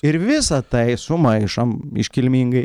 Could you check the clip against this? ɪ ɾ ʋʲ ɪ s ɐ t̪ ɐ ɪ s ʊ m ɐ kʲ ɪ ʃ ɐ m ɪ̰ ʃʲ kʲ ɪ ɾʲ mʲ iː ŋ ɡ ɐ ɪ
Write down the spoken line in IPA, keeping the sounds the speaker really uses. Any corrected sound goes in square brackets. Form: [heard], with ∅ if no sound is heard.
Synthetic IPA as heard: ɪ ɾ ʋʲ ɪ s ɐ t̪ ɐ ɪ s ʊ m ɐ [∅] ɪ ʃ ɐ m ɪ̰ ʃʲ kʲ ɪ [lʲ] mʲ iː ŋ ɡ ɐ ɪ

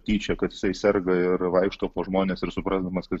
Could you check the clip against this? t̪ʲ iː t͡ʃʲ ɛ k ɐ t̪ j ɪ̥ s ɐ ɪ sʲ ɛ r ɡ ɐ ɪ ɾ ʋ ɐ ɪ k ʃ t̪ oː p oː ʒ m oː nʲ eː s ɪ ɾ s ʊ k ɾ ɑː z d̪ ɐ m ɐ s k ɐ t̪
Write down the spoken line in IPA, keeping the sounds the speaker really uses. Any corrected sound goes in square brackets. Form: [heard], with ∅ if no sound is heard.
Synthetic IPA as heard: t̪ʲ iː t͡ʃʲ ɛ k ɐ t̪ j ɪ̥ s ɐ ɪ sʲ ɛ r ɡ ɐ ɪ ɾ ʋ ɐ ɪ k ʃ t̪ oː p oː ʒ m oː nʲ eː s ɪ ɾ s ʊ [p] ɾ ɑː z d̪ ɐ m ɐ s k ɐ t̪

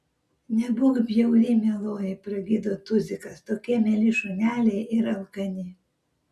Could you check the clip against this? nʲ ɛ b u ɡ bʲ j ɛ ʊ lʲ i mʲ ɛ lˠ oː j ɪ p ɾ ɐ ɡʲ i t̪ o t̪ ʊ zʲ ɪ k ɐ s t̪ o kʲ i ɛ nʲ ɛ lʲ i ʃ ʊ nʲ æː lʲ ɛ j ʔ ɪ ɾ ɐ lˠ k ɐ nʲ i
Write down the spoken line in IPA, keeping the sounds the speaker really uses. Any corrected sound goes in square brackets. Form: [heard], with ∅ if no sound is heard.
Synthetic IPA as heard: nʲ ɛ b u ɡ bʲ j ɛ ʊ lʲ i mʲ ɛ lˠ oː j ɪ p ɾ ɐ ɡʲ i [d̪] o t̪ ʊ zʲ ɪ k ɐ s t̪ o kʲ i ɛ [mʲ] ɛ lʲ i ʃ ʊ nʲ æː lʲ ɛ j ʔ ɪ ɾ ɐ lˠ k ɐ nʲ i

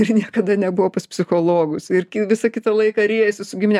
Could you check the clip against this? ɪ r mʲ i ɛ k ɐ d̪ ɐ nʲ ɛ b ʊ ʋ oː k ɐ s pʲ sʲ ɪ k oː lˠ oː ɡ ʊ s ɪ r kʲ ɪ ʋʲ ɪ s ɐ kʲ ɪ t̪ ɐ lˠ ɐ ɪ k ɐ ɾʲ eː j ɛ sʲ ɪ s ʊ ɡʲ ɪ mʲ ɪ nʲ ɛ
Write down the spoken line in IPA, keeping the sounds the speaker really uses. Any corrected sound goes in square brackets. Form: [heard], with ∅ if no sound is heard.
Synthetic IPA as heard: ɪ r [nʲ] i ɛ k ɐ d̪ ɐ nʲ ɛ b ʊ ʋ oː [p] ɐ s pʲ sʲ ɪ [x] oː lˠ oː ɡ ʊ s ɪ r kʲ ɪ ʋʲ ɪ s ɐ kʲ ɪ t̪ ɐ lˠ ɐ ɪ k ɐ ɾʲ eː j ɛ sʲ ɪ s ʊ ɡʲ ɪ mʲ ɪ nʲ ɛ

